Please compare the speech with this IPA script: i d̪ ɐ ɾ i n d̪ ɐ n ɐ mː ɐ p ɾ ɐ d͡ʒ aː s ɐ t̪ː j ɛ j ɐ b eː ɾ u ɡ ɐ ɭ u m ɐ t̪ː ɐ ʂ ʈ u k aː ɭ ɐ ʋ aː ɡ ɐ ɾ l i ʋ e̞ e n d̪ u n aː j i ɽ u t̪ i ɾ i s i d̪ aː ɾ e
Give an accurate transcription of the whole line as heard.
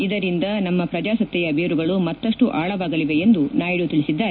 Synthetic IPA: i d̪ ɐ ɾ i n d̪ ɐ n ɐ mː ɐ p ɾ ɐ d͡ʒ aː s ɐ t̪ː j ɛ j ɐ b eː ɾ u ɡ ɐ ɭ u m ɐ t̪ː ɐ ʂ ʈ u ʔ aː ɭ ɐ ʋ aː ɡ ɐ l i ʋ e̞ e n d̪ u n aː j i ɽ u t̪ i ɭ i s i d̪ː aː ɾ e